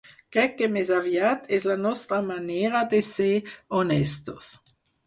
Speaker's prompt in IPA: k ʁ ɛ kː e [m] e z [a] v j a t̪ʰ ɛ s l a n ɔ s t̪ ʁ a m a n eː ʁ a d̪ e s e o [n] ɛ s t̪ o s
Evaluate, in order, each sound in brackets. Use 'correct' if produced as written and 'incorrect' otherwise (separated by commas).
correct, correct, correct